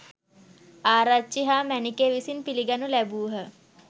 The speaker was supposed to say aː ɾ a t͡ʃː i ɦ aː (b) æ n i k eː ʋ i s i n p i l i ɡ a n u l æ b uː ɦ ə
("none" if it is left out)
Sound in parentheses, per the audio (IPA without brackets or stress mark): m